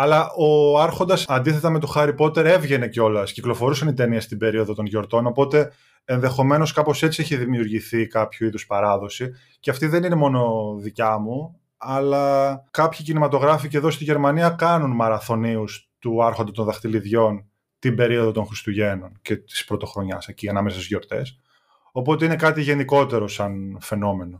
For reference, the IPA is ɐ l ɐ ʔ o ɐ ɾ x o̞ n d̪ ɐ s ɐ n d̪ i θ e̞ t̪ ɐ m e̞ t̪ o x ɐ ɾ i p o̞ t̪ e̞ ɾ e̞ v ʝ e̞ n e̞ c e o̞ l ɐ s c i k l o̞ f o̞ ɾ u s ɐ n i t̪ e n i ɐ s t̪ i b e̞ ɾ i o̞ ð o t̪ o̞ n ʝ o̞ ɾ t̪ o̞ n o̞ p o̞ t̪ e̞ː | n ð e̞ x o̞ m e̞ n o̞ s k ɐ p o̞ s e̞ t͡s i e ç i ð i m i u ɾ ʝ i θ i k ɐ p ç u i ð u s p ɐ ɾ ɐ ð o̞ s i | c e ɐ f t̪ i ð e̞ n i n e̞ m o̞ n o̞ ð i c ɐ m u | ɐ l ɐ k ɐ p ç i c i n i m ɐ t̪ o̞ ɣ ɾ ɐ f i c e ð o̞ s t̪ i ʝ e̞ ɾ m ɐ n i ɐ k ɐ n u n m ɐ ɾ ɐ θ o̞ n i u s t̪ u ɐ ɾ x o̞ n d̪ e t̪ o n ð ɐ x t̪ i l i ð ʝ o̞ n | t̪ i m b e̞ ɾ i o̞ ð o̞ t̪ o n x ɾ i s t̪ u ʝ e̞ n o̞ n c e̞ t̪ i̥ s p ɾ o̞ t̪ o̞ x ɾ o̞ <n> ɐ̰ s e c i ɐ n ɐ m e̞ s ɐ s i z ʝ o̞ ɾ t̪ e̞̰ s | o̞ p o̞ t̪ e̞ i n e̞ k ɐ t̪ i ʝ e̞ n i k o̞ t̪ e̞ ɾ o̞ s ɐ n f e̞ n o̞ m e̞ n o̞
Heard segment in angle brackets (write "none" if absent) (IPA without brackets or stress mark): ɲ